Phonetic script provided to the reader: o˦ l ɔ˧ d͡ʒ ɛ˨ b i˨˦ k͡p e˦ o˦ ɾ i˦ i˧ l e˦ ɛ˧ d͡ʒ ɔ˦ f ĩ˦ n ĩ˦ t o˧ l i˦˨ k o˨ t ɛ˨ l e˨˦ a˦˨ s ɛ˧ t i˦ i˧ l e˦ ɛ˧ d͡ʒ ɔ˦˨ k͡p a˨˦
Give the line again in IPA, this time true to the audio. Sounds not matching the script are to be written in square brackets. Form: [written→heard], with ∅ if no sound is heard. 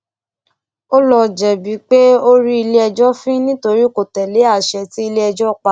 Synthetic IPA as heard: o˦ l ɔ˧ d͡ʒ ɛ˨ b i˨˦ k͡p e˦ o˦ ɾ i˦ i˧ l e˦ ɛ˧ d͡ʒ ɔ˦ f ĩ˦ n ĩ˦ t o˧ [l→ɾ] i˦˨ k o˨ t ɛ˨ l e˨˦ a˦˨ [s→ʃ] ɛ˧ t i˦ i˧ l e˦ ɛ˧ d͡ʒ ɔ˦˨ k͡p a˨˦